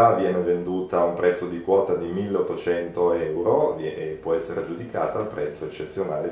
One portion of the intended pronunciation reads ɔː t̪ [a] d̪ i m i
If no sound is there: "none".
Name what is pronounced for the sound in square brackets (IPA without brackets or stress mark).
a